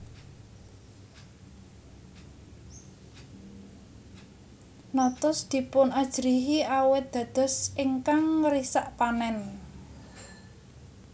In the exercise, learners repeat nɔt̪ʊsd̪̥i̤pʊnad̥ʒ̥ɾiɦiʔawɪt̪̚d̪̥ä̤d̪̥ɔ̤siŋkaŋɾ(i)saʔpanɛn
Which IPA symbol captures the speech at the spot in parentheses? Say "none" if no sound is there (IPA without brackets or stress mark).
i